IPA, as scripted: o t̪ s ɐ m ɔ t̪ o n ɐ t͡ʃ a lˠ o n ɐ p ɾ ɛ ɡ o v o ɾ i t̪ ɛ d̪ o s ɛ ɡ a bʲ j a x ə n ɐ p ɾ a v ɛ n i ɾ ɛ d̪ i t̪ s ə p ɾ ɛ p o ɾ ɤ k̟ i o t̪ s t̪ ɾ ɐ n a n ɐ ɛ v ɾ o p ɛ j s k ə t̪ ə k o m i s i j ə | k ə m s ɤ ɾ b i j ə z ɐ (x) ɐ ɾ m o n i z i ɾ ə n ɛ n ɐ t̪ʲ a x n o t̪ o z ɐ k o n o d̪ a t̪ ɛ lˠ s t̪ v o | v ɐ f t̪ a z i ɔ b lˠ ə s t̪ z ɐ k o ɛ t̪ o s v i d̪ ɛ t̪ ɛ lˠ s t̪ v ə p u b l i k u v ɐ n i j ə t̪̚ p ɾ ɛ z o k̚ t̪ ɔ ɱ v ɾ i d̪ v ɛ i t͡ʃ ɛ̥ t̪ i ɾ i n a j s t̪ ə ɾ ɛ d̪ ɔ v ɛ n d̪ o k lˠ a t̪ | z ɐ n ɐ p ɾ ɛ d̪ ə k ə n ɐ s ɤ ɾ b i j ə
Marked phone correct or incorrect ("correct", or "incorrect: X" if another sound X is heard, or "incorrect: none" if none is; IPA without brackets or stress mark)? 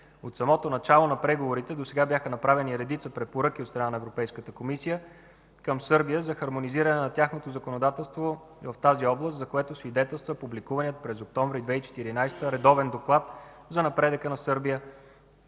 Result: correct